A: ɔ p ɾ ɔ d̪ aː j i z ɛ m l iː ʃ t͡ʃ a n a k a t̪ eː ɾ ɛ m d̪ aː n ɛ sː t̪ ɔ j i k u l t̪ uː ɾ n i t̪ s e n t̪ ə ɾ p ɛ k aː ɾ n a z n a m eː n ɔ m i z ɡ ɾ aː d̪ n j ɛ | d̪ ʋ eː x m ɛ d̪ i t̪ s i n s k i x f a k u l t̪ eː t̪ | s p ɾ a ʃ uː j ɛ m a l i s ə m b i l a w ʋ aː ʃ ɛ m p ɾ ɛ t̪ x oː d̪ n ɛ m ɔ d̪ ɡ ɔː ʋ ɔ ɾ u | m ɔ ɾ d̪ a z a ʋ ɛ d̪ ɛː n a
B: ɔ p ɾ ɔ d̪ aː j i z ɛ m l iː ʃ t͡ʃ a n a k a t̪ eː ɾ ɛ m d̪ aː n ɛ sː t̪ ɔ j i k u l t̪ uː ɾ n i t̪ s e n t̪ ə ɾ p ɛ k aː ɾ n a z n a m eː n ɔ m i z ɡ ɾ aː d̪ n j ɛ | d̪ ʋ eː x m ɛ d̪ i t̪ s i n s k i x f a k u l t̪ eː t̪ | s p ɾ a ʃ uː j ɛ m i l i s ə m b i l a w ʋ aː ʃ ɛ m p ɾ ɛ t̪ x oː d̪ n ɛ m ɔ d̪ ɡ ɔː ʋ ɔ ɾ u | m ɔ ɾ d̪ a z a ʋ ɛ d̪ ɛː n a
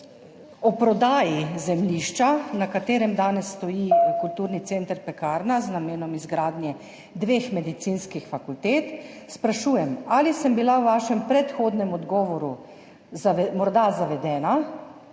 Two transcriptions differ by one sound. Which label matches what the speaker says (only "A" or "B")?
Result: A